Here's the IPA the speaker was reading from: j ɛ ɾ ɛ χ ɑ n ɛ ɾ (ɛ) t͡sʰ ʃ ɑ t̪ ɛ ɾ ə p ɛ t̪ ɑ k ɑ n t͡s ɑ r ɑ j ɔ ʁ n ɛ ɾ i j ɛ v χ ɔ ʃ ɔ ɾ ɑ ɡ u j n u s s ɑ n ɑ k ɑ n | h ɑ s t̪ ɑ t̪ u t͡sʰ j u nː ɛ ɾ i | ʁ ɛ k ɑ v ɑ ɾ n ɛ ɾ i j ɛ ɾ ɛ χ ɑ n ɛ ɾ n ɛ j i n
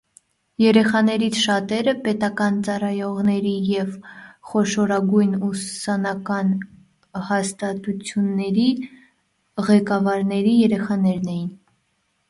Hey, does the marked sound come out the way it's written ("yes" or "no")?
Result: no